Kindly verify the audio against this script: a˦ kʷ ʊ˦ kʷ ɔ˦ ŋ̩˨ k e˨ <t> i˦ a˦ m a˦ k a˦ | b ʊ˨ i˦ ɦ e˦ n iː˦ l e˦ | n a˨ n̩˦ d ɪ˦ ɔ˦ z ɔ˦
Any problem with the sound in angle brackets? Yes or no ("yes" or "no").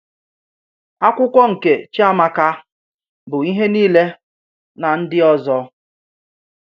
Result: yes